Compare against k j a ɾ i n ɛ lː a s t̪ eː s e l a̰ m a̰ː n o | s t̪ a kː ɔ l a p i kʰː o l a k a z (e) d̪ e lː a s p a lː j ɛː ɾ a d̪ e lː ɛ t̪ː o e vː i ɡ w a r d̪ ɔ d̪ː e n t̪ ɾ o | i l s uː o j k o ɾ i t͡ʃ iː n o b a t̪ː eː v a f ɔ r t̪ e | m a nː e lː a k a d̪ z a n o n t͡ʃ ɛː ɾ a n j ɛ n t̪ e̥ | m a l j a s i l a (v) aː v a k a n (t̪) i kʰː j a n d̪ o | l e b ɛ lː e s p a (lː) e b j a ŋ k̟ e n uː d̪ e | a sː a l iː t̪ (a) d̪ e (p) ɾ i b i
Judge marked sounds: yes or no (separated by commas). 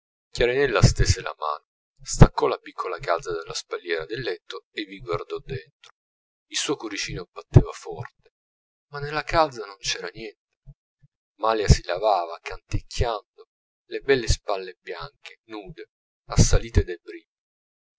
no, yes, yes, yes, no, no